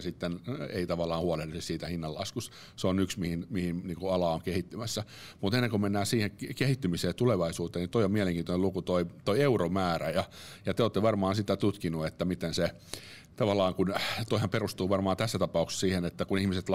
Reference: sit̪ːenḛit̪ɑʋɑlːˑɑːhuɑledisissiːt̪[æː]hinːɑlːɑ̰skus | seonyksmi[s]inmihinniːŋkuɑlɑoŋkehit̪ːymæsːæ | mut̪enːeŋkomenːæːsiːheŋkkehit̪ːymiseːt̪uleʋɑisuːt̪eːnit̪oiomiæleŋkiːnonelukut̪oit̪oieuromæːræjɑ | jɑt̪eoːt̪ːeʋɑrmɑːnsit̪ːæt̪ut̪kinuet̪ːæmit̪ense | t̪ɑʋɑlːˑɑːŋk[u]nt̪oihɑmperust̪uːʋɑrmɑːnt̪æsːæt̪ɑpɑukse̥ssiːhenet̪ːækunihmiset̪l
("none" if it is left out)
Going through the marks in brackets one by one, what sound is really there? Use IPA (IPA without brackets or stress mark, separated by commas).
æ, h, u